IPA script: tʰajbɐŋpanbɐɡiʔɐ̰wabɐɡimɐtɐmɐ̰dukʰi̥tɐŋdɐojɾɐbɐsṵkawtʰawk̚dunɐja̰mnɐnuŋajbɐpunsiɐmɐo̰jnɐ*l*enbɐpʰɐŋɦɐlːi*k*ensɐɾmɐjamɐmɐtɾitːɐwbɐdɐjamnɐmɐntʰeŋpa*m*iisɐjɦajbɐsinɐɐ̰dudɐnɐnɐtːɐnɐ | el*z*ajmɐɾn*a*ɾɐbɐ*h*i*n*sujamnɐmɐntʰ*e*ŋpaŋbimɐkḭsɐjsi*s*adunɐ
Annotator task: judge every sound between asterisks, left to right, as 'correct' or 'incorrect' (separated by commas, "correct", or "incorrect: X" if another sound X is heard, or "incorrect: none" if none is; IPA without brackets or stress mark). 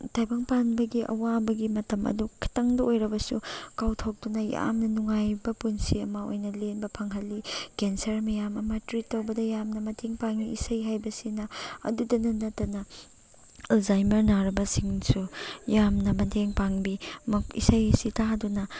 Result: correct, correct, incorrect: ŋ, correct, correct, incorrect: s, incorrect: ŋ, correct, incorrect: t